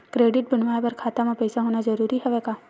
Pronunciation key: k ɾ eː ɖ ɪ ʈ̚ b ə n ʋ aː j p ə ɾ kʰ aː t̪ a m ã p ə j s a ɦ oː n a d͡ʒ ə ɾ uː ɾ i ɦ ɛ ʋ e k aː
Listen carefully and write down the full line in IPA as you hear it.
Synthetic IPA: k ɾ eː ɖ ɪ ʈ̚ b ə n ʋ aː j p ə ɾ kʰ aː t̪ a m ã p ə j s a ɦ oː n a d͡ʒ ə ɾ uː ɾ i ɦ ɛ ʋ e k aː